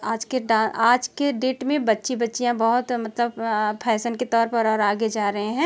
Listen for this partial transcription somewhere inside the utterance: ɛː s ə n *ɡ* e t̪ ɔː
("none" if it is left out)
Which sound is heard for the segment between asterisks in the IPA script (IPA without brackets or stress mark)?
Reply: k